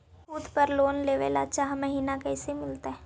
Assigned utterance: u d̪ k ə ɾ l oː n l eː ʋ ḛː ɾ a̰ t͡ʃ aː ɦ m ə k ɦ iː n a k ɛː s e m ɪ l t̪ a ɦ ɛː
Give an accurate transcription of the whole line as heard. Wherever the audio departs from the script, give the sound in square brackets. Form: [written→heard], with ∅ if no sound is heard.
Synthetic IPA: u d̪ [k→p] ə ɾ l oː n l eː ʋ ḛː [ɾ→l] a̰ t͡ʃ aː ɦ m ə [k→∅] ɦ iː n a k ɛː s e m ɪ l t̪ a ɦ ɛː